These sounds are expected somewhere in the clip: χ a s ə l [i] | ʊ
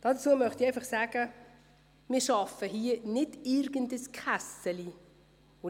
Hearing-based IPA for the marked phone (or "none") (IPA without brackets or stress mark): i